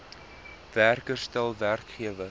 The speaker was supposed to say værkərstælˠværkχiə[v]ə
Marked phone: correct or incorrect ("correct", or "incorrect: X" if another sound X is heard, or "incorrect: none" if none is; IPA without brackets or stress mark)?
correct